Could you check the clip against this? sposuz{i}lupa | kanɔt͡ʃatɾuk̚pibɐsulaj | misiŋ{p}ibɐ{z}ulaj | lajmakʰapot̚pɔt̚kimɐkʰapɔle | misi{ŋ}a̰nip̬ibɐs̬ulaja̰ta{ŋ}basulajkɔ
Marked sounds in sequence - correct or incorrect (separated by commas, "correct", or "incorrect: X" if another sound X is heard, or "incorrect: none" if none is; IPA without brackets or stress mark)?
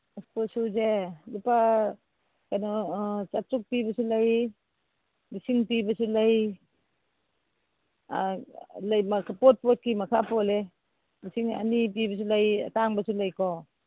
incorrect: e, correct, incorrect: s, correct, correct